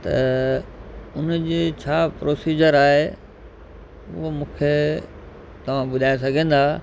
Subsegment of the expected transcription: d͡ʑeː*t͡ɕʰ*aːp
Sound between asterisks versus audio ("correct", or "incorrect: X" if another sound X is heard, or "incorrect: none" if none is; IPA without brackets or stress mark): correct